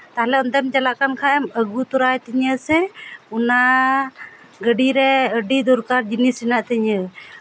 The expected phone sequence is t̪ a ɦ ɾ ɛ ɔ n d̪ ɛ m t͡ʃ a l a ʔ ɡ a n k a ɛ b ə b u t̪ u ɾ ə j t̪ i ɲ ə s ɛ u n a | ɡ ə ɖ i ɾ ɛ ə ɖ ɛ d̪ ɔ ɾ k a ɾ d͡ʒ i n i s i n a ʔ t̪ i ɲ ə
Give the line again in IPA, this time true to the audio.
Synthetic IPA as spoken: t̪ a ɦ l ɛ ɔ n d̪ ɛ m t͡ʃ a l a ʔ k a n kʰ a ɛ m ə ɡ u t̪ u ɾ a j t̪ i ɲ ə s ɛ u n a | ɡ ə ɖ i ɾ ɛ ə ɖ i d̪ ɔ ɾ k a ɾ d͡ʒ i n i s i n a ʔ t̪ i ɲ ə